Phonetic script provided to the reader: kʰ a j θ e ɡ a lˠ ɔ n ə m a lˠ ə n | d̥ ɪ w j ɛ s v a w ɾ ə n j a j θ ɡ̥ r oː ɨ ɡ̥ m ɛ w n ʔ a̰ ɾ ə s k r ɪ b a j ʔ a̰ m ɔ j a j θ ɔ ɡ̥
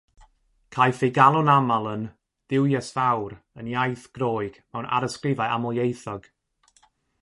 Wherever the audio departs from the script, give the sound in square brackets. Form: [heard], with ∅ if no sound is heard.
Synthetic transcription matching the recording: kʰ a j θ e ɡ a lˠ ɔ n [a] m a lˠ ə n | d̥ ɪ w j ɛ s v a w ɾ ə n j a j θ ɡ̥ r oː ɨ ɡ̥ m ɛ w n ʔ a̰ ɾ ə s k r ɪ [v] a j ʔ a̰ m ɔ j [e] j θ ɔ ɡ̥